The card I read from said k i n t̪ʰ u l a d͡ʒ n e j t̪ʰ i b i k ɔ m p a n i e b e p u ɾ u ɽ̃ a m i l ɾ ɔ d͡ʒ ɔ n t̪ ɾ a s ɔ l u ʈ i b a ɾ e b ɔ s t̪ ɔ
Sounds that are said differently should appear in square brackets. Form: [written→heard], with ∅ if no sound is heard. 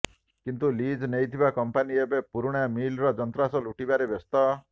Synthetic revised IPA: k i n [t̪ʰ→t̪] u l [a→i] d͡ʒ n e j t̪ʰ i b [i→a] k ɔ m p a n i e b e p u ɾ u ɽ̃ a m i l ɾ ɔ d͡ʒ ɔ n t̪ ɾ a s ɔ l u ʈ i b a ɾ e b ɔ s t̪ ɔ